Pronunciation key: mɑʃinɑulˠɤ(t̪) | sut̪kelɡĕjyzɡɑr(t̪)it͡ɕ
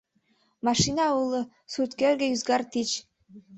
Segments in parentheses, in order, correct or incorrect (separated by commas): incorrect, correct